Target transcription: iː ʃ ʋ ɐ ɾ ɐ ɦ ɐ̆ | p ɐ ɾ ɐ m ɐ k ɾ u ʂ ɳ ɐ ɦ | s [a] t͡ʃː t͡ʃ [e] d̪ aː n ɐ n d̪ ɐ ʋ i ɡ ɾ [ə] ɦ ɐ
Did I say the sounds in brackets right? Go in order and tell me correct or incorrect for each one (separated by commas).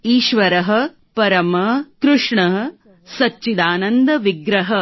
incorrect, incorrect, incorrect